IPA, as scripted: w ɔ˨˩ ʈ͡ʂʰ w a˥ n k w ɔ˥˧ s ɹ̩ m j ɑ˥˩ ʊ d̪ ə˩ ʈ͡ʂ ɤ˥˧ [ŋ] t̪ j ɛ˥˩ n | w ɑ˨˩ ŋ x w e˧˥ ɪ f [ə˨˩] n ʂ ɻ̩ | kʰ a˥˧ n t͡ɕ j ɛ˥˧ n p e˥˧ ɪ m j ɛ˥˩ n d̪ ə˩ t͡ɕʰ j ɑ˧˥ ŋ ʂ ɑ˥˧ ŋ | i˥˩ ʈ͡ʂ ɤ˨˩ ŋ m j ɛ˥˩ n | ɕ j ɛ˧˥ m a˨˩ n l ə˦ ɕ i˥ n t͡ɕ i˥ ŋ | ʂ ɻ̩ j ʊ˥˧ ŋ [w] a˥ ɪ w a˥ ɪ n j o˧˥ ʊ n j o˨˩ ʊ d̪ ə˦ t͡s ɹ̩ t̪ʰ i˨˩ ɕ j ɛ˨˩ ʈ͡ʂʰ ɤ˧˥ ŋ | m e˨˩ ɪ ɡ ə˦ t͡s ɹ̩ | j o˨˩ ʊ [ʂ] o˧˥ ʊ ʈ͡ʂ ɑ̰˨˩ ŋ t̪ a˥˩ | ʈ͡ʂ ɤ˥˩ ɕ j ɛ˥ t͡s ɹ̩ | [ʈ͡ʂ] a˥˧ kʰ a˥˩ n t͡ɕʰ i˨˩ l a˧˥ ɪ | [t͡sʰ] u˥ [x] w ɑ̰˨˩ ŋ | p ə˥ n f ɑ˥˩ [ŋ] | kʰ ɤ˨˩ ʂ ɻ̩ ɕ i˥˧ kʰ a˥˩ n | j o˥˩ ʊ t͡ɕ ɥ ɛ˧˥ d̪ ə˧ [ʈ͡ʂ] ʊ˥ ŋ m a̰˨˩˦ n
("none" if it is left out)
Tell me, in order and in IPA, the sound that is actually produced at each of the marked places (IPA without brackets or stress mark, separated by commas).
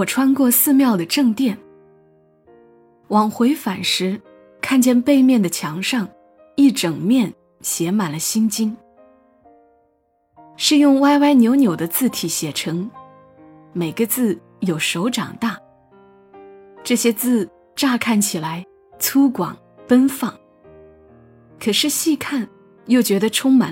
ŋ, a˨˩, w, ʂ, ʈ͡ʂ, t͡sʰ, k, ŋ, ʈ͡ʂʰ